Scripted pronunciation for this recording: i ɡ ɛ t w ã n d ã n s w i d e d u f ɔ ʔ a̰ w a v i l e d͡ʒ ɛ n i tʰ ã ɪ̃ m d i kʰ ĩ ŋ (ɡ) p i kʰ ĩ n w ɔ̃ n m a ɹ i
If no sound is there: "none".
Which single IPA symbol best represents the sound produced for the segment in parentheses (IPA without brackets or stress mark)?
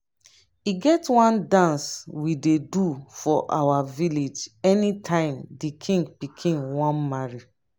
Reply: ɡ